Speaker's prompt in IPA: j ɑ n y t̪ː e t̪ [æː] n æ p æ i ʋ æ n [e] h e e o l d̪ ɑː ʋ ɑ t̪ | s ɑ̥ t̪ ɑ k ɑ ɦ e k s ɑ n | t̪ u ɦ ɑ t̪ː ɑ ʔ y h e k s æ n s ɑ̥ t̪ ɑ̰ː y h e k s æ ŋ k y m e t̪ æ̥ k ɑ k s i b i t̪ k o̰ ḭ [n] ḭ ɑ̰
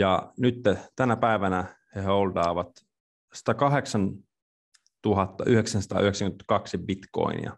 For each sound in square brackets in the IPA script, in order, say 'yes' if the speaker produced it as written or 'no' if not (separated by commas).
no, no, yes